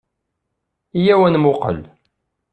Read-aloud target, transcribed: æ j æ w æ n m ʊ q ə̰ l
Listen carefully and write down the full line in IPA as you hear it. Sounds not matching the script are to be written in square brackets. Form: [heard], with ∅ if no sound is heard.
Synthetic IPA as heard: [i] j æ w æ n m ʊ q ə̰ l